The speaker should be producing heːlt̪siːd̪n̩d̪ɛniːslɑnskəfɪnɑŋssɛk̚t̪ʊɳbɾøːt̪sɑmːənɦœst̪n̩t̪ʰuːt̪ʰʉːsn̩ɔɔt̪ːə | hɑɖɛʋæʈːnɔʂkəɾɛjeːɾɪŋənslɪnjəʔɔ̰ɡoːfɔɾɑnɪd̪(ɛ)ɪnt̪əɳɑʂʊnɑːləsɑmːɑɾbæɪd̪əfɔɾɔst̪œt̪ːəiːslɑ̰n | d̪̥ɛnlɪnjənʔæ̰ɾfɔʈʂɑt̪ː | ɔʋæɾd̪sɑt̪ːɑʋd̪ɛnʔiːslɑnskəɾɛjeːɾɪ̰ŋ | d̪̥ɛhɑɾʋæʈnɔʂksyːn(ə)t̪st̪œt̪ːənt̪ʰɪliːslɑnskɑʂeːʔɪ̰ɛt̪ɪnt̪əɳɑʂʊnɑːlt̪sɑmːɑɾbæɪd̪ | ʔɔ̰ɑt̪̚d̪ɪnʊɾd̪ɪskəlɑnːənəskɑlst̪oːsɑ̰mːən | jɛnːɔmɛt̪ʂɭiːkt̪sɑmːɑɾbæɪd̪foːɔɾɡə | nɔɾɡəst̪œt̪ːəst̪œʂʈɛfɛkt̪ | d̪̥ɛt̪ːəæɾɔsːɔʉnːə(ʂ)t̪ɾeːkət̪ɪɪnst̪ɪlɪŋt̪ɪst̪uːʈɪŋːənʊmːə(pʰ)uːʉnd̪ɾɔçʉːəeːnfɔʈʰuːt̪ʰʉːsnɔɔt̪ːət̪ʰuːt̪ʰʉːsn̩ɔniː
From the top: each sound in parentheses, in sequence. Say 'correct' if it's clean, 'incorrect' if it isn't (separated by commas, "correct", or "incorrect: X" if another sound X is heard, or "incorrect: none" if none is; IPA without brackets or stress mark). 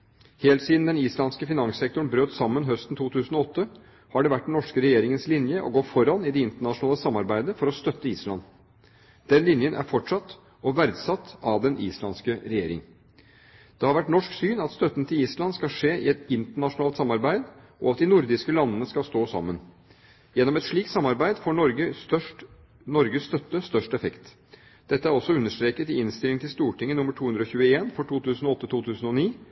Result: correct, incorrect: ɑ, correct, incorrect: ʈʰ